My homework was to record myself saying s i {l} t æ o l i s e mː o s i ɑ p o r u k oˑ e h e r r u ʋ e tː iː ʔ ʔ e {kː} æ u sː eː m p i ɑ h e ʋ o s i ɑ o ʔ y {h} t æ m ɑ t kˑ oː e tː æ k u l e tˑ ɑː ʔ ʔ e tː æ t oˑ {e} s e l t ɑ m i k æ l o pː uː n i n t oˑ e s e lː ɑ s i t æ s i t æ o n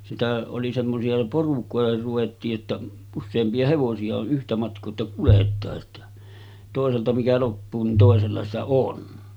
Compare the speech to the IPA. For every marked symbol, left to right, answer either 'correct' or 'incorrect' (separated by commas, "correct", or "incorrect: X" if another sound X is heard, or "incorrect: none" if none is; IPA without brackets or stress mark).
incorrect: none, incorrect: tː, correct, correct